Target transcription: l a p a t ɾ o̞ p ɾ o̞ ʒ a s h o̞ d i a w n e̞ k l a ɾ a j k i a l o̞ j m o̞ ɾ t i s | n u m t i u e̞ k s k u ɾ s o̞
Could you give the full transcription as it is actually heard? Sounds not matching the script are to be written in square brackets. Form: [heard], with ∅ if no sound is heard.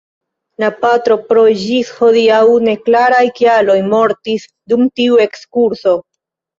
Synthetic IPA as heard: l a p a t ɾ o̞ p ɾ o̞ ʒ [i] s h o̞ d i a w n e̞ k l a ɾ a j k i a l o̞ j m o̞ ɾ t i s | [d] u m t i u e̞ k s k u ɾ s o̞